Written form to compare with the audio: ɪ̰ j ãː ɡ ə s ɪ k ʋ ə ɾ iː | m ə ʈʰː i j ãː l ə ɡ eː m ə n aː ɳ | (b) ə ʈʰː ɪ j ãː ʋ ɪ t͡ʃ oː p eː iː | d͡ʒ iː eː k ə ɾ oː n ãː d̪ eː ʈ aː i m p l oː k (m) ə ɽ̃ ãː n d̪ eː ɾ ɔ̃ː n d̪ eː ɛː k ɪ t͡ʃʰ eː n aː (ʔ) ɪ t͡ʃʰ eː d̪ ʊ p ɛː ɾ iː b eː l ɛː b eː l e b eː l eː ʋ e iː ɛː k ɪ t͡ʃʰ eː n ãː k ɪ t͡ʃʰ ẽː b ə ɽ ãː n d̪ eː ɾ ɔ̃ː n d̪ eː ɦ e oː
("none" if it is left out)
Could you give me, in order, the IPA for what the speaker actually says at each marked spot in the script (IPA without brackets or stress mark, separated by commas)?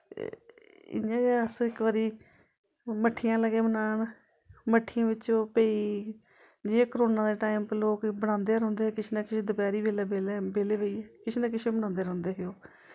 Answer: m, b, k